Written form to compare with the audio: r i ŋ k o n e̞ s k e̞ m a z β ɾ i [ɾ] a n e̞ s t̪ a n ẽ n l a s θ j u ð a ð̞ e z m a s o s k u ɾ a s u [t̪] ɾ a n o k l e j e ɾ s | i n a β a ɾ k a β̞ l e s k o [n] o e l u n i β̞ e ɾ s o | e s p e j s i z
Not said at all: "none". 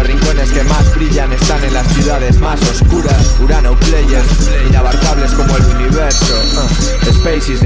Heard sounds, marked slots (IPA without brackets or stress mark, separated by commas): ʎ, none, m